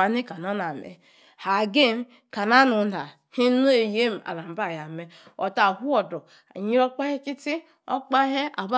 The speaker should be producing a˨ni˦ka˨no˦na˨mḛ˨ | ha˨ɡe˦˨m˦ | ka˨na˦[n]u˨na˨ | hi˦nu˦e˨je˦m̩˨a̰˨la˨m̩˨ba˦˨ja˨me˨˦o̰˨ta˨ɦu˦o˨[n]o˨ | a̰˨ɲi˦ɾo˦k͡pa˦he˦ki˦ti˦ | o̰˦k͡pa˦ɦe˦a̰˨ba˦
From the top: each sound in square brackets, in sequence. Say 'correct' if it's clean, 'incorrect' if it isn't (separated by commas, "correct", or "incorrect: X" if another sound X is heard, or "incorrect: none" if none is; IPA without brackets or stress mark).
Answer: correct, incorrect: d